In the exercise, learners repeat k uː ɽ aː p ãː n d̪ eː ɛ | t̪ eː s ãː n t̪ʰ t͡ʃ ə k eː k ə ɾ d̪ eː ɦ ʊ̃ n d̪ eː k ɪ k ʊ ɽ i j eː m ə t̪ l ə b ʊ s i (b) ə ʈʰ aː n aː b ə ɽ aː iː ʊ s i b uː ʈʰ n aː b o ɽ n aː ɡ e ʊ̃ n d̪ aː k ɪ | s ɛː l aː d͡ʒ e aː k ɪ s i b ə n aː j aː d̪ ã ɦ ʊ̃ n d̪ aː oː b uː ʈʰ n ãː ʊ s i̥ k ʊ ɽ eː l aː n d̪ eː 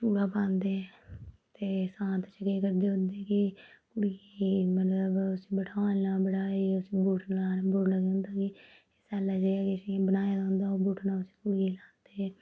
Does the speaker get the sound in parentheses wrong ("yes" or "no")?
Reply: no